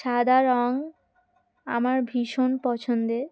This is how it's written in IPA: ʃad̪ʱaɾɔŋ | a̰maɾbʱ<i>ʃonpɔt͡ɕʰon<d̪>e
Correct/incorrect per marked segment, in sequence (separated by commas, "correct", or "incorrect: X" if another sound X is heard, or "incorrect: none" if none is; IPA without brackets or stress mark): correct, correct